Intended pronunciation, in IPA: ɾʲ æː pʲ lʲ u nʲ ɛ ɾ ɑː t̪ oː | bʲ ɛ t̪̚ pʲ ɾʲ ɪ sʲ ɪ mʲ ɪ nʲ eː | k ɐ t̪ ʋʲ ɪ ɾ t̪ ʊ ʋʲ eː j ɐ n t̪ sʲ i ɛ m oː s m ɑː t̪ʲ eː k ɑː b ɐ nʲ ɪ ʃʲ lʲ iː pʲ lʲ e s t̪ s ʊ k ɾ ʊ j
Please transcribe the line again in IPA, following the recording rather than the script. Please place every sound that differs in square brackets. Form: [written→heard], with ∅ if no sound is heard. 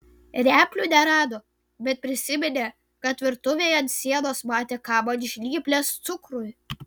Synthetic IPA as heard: ɾʲ æː pʲ lʲ u nʲ ɛ ɾ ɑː [t̪→d̪] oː | bʲ ɛ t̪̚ pʲ ɾʲ ɪ sʲ ɪ mʲ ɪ nʲ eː | k ɐ t̪ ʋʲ ɪ ɾ t̪ ʊ ʋʲ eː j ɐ n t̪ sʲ i ɛ [m→n] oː s m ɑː t̪ʲ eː k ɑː b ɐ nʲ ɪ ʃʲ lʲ iː pʲ lʲ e s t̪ s ʊ k ɾ ʊ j